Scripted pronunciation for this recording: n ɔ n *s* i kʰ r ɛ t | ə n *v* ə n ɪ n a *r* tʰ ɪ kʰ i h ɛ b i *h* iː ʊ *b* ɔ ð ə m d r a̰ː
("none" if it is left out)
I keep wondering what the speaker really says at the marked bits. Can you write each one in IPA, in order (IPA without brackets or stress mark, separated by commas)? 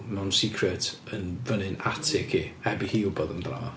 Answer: s, v, none, h, b